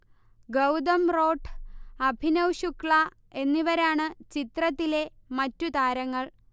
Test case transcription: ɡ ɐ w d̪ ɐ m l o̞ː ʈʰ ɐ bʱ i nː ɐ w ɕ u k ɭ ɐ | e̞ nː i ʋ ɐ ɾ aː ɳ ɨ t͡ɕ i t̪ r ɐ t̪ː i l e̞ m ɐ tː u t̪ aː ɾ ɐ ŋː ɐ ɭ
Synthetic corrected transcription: ɡ ɐ w d̪ ɐ m r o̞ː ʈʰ ɐ bʱ i n ɐ w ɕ u k ɭ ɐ | e̞ nː i ʋ ɐ ɾ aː ɳ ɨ t͡ɕ i t̪ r ɐ t̪ː i l e̞ m ɐ tː u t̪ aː ɾ ɐ ŋː ɐ ɭ

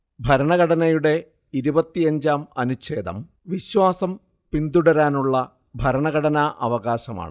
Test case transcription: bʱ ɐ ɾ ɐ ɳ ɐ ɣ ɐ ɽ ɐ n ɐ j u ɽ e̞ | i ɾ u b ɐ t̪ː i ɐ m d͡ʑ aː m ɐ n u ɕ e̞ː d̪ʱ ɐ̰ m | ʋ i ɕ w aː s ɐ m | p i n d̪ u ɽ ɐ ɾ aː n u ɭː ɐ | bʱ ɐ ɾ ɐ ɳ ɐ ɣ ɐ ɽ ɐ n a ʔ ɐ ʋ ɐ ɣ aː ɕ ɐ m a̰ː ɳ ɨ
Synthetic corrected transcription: bʱ ɐ ɾ ɐ ɳ ɐ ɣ ɐ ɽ ɐ n ɐ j u ɽ e̞ | i ɾ u b ɐ t̪ː i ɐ ɲ d͡ʑ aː m ɐ n u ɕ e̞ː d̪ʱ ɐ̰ m | ʋ i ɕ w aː s ɐ m | p i n d̪ u ɽ ɐ ɾ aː n u ɭː ɐ | bʱ ɐ ɾ ɐ ɳ ɐ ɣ ɐ ɽ ɐ n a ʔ ɐ ʋ ɐ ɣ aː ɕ ɐ m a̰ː ɳ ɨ

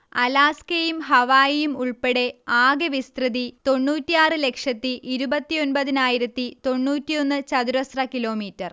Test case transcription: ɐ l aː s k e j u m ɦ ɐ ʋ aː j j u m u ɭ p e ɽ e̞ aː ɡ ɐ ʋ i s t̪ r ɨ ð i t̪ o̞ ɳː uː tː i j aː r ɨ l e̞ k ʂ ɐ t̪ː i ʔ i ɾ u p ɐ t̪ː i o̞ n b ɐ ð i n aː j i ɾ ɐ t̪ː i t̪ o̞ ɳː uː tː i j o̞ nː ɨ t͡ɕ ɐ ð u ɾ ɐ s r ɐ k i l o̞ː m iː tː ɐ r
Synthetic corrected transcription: ɐ l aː s k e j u m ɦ ɐ ʋ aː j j u m u ɭ p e ɽ e̞ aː ɡ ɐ ʋ i s t̪ r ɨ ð i t̪ o̞ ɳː uː tː i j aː r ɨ l e̞ k ʂ ɐ t̪ː i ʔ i ɾ u b ɐ t̪ː i o̞ n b ɐ ð i n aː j i ɾ ɐ t̪ː i t̪ o̞ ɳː uː tː i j o̞ nː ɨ t͡ɕ ɐ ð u ɾ ɐ s r ɐ k i l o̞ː m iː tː ɐ r

